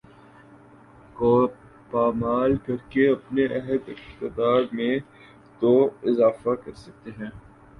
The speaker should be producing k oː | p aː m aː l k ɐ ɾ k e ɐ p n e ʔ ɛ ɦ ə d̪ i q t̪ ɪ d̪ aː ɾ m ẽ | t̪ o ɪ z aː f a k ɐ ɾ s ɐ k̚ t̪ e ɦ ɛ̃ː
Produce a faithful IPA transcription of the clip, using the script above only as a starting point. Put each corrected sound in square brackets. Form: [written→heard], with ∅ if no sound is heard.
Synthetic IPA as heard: k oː | p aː m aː l k ɐ ɾ k e ɐ p n e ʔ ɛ ɦ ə d̪ [i→ɪ] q t̪ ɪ d̪ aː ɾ m ẽ | t̪ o ɪ z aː f a k ɐ ɾ s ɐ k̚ t̪ e ɦ ɛ̃ː